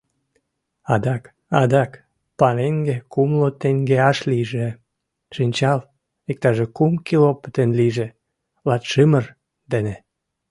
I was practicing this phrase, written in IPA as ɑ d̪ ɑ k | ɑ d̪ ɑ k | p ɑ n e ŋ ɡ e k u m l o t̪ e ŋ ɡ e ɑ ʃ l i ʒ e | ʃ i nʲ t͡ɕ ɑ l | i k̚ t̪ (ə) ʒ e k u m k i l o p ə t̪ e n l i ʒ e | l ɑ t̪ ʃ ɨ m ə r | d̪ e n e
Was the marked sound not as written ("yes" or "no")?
yes